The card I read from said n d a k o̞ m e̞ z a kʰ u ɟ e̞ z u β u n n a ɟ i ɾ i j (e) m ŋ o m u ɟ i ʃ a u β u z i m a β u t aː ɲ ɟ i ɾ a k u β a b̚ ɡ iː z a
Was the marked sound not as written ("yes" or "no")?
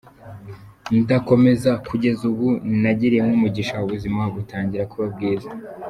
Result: no